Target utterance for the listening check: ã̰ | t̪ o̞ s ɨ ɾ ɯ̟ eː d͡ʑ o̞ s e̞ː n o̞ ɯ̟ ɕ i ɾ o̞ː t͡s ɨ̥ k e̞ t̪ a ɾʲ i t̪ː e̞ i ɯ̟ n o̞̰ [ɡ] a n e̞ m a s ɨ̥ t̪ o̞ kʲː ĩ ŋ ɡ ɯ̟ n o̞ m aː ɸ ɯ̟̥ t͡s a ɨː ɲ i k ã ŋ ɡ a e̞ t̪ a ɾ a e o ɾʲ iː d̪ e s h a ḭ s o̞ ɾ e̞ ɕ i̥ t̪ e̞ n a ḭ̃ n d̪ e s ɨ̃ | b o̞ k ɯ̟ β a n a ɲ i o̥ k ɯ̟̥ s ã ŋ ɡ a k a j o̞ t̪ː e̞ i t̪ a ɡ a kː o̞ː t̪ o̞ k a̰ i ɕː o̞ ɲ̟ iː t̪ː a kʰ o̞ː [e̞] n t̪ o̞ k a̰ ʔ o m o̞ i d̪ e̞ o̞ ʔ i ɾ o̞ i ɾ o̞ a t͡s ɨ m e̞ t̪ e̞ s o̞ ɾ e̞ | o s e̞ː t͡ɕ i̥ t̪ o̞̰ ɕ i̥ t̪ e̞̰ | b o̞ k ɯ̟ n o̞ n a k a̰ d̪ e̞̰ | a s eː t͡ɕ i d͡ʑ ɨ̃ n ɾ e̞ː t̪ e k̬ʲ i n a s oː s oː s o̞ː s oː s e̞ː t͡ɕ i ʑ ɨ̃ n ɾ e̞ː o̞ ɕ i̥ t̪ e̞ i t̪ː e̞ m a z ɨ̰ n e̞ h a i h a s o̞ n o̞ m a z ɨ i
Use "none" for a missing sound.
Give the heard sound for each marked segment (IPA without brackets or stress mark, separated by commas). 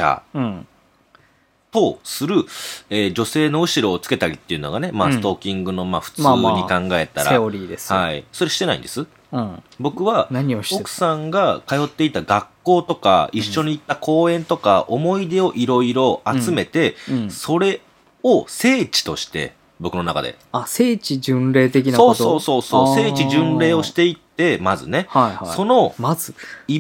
ɡ, ẽ̞